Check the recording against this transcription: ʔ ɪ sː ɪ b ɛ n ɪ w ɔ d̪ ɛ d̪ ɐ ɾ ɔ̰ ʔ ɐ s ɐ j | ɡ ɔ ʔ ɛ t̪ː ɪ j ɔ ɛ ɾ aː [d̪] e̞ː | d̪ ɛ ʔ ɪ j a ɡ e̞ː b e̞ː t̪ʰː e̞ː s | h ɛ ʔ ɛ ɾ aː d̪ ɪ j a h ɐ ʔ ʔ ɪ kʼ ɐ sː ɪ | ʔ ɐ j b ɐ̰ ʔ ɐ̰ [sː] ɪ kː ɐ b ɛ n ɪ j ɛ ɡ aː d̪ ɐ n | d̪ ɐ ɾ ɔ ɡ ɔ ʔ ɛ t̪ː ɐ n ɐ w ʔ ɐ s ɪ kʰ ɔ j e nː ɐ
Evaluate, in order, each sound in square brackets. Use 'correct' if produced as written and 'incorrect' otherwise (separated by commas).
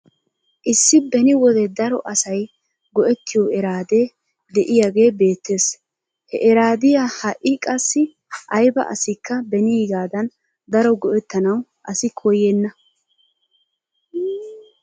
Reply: correct, incorrect